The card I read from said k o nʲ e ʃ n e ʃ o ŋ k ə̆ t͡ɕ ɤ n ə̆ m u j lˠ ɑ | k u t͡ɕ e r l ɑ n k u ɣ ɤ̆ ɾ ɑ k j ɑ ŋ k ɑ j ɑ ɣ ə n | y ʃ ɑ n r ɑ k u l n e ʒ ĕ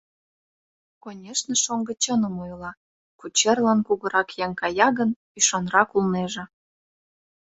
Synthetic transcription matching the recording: k o nʲ e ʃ n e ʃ o ŋ ɡ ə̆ t͡ɕ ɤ n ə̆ m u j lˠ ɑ | k u t͡ɕ e r l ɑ n k u ɣ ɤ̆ ɾ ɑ k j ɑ ŋ k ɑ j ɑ ɣ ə n | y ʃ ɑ n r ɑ k u l n e ʒ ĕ